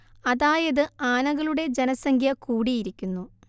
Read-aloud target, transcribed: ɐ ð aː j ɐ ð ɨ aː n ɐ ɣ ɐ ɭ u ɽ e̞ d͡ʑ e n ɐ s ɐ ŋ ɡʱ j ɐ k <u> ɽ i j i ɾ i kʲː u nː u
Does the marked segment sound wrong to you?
yes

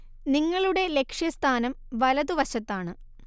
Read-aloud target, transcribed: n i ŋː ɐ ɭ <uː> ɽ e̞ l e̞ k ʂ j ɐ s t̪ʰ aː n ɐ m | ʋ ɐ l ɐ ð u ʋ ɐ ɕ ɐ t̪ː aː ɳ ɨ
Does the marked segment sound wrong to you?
yes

